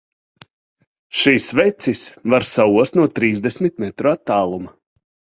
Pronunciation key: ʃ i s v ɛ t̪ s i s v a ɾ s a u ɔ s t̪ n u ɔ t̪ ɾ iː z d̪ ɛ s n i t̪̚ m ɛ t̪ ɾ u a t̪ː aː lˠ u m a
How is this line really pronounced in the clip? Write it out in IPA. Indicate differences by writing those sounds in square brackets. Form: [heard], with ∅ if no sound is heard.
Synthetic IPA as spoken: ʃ i s v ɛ t̪ s i s v a ɾ s a u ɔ s t̪ n u ɔ t̪ ɾ iː z d̪ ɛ s [m] i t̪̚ m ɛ t̪ ɾ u a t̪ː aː lˠ u m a